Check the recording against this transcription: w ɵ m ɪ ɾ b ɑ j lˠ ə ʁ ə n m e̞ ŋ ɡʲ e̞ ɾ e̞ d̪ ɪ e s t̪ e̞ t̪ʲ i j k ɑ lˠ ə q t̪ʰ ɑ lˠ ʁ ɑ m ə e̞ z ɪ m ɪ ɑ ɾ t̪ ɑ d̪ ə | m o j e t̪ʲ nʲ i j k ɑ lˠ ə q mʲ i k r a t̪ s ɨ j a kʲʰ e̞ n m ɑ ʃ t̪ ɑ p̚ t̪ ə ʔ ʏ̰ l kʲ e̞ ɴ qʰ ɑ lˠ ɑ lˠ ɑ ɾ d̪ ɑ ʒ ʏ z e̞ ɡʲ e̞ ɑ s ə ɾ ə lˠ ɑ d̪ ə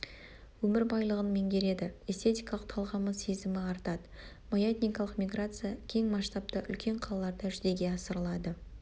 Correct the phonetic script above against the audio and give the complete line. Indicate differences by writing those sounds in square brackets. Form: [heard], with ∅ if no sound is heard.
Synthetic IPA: w ɵ m ɪ ɾ b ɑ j lˠ ə ʁ ə n m e̞ ŋ ɡʲ e̞ ɾ e̞ d̪ ɪ e s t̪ e̞ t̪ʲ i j k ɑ lˠ ə q t̪ʰ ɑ lˠ ʁ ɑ m ə e̞ z ɪ m ɪ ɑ ɾ t̪ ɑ d̪ ə | m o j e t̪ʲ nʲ i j k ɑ lˠ ə q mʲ i [ɡ] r a t̪ s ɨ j a kʲʰ e̞ [ŋ] m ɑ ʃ t̪ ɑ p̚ t̪ ə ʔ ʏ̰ l kʲ e̞ ɴ qʰ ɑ lˠ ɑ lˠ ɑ ɾ d̪ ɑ ʒ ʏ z e̞ ɡʲ e̞ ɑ s ə ɾ ə lˠ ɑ d̪ ə